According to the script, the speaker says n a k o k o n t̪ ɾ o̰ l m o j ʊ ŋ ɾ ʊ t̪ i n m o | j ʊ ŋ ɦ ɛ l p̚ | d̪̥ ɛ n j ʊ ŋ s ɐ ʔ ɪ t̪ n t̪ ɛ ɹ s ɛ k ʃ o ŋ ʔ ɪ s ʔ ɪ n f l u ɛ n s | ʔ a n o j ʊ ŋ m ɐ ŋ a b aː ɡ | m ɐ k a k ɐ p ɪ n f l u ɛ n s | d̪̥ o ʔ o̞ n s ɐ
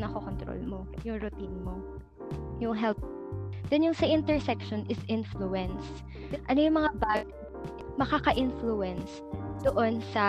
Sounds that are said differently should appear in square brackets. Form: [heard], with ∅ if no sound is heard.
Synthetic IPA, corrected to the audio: n [ɐ] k o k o n t̪ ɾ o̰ l m o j ʊ ŋ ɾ ʊ t̪ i n m o | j ʊ ŋ ɦ ɛ l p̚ | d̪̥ ɛ n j ʊ ŋ s ɐ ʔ ɪ [∅] n t̪ ɛ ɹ s ɛ k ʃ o [n] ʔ ɪ s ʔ ɪ n f l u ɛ n s | ʔ [ɐ] n o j ʊ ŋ m ɐ ŋ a b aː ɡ | m ɐ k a k ɐ [ʔ] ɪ n f l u ɛ n s | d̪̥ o ʔ o̞ n s ɐ